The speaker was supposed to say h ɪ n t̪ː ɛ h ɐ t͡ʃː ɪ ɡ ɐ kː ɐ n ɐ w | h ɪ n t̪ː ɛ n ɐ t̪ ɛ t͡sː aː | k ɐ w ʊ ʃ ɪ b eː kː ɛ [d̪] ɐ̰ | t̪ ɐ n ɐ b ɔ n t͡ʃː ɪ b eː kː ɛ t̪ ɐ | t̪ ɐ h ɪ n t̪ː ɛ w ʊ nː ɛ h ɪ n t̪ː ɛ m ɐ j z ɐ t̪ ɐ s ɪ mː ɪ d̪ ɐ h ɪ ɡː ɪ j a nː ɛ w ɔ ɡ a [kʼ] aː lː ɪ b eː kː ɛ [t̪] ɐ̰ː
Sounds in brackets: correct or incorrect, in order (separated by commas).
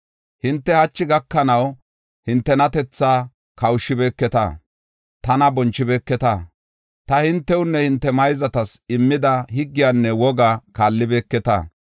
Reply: incorrect, incorrect, correct